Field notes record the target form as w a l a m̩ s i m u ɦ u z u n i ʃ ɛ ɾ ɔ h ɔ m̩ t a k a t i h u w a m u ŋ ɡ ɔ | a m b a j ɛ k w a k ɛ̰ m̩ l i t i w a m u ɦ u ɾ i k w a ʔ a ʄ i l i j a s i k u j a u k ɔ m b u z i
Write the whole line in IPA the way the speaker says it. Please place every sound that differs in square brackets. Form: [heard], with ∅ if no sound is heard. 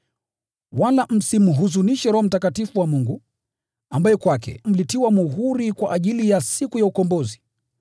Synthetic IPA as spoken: w a l a m̩ s i m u ɦ u z u n i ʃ ɛ ɾ ɔ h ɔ m̩ t a k a t i [f] u w a m u ŋ ɡ [u] | a m b a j ɛ k w a k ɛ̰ m̩ l i t i w a m u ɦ u ɾ i k w a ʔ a ʄ i l i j a s i k u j a u k ɔ m b [ɔ] z i